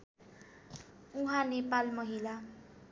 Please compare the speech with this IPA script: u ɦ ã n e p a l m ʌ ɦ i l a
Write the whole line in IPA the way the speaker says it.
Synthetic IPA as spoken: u ɦ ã n e p a l m ʌ ɦ i l a